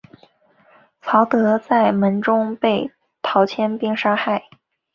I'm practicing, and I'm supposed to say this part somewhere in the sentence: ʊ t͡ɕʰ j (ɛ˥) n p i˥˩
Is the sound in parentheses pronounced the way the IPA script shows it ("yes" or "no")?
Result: yes